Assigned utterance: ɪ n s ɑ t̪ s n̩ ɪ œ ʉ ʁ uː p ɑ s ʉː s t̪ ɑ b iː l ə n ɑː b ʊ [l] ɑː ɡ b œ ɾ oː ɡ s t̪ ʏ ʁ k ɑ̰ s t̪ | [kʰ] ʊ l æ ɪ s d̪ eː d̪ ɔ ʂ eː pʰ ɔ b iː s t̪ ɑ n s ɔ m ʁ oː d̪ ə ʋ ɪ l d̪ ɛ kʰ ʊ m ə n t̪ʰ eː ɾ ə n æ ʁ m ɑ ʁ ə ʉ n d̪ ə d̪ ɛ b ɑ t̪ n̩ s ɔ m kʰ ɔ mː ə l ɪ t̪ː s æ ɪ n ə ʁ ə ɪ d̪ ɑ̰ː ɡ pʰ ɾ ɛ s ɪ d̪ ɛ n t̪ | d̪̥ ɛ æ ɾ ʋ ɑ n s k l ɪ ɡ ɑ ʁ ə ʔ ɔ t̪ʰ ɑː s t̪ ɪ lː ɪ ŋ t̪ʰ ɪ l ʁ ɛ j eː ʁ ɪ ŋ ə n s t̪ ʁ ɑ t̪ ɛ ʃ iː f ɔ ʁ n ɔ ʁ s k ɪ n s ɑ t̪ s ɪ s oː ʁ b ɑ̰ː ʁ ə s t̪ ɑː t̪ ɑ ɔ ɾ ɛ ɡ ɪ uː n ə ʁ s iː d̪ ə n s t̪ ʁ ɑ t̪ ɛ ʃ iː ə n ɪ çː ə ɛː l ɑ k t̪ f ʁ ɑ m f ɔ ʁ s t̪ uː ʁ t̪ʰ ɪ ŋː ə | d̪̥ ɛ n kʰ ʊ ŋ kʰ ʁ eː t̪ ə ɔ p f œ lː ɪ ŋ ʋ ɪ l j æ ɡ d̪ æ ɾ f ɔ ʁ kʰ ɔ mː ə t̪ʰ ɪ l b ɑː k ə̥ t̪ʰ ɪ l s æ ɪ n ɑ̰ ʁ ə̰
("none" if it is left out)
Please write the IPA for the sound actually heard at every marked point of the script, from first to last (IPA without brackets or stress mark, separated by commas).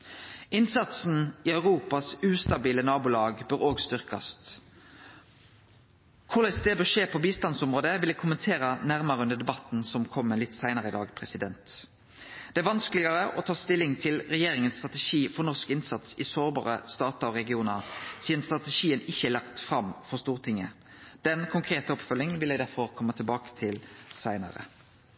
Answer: l, kʰ